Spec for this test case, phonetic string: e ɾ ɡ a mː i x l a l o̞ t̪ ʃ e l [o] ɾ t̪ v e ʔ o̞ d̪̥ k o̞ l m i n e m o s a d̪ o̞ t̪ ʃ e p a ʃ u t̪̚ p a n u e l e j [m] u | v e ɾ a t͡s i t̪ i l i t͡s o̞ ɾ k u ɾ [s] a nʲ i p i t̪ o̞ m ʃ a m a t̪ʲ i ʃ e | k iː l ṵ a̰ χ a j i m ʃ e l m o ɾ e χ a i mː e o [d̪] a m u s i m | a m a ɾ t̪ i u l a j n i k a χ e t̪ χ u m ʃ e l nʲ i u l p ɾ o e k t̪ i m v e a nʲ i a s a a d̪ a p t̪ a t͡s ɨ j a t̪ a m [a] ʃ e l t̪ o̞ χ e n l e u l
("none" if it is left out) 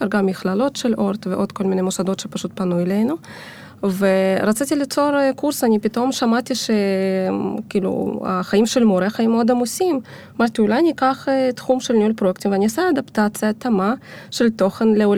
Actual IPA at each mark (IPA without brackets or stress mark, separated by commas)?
o, n, s, d̪, a